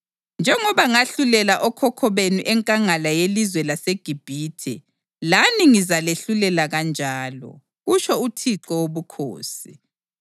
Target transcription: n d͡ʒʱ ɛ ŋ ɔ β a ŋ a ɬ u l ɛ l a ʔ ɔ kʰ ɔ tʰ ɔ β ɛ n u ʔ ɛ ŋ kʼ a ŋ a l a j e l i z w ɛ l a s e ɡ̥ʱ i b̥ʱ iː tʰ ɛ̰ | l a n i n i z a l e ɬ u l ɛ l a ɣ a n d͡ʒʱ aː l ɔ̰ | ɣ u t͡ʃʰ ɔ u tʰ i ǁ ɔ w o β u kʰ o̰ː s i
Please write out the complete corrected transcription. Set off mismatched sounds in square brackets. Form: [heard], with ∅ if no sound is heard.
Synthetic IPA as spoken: n d͡ʒʱ ɛ ŋ ɔ β a ŋ a ɬ u l ɛ l a ʔ ɔ kʰ ɔ [kʰ] ɔ β [e] n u ʔ ɛ ŋ kʼ a ŋ a l a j e l i z w ɛ l a s e ɡ̥ʱ i b̥ʱ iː tʰ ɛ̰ | l a n i [ŋ] i z a l e ɬ u l ɛ l a ɣ a n d͡ʒʱ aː l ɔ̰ | ɣ u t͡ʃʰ ɔ u tʰ i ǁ ɔ w o β u kʰ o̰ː s i